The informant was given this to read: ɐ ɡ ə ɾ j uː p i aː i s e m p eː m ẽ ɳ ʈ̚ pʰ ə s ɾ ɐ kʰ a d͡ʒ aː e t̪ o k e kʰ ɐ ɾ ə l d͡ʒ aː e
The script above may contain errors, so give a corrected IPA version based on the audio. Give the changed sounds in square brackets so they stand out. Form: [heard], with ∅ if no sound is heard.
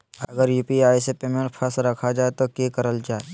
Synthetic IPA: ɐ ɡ ə ɾ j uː p i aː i s e [∅] p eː m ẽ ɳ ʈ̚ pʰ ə s ɾ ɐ kʰ a d͡ʒ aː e t̪ o k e [k] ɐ ɾ ə l d͡ʒ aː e